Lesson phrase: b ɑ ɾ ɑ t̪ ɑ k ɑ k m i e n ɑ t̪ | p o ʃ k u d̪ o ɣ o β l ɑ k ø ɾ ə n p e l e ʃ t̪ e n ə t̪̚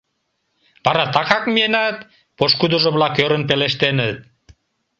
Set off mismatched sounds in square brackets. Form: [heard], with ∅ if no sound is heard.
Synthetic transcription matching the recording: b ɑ ɾ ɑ t̪ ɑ k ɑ k m i e n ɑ t̪ | p o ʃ k u d̪ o [ʒ] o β l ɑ k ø ɾ ə n p e l e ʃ t̪ e n ə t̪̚